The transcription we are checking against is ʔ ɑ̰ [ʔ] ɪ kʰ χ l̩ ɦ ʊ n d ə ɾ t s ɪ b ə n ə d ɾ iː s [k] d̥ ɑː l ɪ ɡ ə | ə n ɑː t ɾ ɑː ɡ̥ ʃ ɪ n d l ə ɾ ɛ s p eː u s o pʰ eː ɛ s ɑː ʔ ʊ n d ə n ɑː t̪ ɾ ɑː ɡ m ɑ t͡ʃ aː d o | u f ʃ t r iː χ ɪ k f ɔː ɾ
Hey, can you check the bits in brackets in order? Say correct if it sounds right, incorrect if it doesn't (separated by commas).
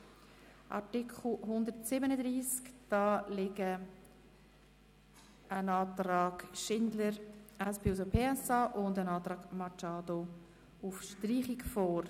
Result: incorrect, correct